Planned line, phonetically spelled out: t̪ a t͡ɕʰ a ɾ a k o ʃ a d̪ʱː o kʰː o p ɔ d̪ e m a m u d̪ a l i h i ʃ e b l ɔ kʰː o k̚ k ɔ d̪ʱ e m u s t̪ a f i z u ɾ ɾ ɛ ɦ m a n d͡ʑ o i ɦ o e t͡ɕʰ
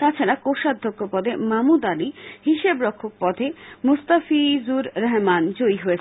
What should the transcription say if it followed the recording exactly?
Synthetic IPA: t̪ a t͡ɕʰ a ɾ a k o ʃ a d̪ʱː o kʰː o p ɔ d̪ e m a m u d̪ a l i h i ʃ e b ɾ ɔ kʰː o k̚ p ɔ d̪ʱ e m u s t̪ a f i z u ɾ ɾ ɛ ɦ m a n d͡ʑ o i ɦ o e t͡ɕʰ